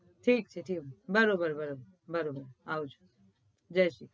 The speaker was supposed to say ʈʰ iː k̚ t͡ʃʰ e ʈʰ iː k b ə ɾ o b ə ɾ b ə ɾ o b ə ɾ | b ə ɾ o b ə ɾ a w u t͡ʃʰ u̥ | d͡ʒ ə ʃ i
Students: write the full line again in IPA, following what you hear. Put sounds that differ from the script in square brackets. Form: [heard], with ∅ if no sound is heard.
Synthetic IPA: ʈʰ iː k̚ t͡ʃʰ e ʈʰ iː k b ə ɾ o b ə ɾ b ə ɾ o b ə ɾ | b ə ɾ o b ə ɾ a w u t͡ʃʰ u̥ | d͡ʒ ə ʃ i

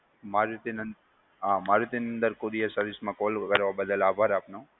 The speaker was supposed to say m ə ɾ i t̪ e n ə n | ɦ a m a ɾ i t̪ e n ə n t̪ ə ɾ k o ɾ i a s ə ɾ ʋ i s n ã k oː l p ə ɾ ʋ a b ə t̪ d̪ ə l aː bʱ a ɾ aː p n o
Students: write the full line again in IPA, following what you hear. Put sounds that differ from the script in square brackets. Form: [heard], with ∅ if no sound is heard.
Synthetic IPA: m [a] ɾ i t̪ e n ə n | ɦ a m a ɾ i t̪ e n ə n [d̪] ə ɾ k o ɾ i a s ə ɾ ʋ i s [m] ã k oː l [k] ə ɾ ʋ a b ə [∅] d̪ ə l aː bʱ a ɾ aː p n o

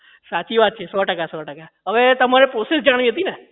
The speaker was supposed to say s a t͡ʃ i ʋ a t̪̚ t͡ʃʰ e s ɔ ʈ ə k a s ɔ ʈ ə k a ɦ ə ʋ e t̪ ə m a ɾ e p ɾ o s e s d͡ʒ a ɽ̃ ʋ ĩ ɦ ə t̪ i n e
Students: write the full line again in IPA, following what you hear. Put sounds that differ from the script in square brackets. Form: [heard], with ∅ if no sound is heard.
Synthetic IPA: s a t͡ʃ i ʋ a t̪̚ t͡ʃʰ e s ɔ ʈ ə k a s ɔ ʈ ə k a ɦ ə ʋ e t̪ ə m a ɾ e p ɾ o s e s d͡ʒ a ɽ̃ ʋ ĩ ɦ ə t̪ i n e

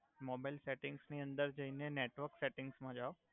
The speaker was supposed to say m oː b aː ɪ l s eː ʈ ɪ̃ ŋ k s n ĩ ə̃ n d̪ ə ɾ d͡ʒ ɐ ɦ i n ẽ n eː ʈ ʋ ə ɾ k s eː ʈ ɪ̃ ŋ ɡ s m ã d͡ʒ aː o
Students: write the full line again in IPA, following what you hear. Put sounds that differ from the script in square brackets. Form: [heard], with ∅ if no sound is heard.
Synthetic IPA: m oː b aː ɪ l s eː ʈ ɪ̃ ŋ [ɡ] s n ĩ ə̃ n d̪ ə ɾ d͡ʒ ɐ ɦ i n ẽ n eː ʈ ʋ ə ɾ k s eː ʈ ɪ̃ ŋ ɡ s m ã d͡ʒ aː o

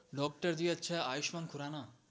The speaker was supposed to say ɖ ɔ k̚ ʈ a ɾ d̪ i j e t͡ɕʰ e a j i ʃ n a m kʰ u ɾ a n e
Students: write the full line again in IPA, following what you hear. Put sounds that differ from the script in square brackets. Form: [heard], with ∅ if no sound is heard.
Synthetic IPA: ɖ ɔ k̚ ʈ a ɾ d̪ i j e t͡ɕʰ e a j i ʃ [m] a [n] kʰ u ɾ a n [a]

